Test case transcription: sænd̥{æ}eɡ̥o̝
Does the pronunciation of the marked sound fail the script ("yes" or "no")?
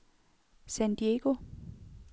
yes